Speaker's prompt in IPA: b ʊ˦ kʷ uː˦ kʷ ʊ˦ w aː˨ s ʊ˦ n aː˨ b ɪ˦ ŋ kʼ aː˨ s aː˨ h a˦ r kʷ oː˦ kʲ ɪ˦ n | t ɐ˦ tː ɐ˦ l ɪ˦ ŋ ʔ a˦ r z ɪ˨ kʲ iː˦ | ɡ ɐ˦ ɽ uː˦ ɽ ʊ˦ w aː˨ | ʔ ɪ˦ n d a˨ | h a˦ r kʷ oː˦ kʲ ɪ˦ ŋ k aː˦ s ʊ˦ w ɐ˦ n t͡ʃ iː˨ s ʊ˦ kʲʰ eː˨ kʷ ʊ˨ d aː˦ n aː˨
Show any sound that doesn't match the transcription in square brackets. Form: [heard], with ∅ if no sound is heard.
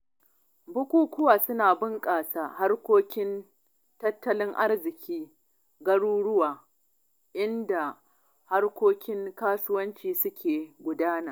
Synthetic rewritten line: b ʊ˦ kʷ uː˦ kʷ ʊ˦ w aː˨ s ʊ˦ n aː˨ b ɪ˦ ŋ kʼ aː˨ s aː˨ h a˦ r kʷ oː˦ kʲ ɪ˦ n | t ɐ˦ tː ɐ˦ l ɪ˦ ŋ ʔ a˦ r z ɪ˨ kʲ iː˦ | ɡ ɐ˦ ɽ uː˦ ɽ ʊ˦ w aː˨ | ʔ ɪ˦ n d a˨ | h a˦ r kʷ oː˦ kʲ ɪ˦ ŋ k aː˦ s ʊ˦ w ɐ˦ n t͡ʃ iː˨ s ʊ˦ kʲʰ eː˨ [ɡʷ] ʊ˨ d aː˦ n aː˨